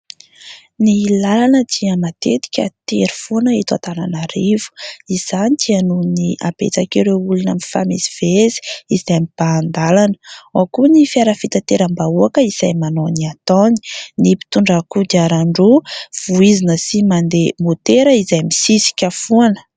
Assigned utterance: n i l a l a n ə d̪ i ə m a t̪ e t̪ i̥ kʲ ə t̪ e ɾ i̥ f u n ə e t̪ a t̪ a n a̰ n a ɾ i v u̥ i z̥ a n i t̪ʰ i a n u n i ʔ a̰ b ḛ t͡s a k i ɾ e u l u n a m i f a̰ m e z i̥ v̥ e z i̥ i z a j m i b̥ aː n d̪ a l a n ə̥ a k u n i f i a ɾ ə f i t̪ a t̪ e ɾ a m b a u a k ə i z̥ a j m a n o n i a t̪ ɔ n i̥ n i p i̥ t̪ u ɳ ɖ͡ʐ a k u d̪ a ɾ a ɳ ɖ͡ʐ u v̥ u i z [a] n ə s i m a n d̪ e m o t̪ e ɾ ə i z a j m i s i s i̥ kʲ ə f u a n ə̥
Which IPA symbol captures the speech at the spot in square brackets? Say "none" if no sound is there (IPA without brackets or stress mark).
i